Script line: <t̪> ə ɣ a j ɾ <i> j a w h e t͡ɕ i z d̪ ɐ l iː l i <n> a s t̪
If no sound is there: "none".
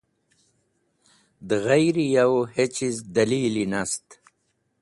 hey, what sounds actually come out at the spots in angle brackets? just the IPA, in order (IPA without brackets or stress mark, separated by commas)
d̪, i, n